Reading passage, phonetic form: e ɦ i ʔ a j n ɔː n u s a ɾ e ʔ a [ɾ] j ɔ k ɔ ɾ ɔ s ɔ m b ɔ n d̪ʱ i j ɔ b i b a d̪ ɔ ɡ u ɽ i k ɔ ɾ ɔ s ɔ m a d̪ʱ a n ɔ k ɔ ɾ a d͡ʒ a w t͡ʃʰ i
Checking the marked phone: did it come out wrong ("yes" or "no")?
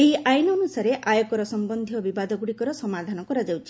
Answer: yes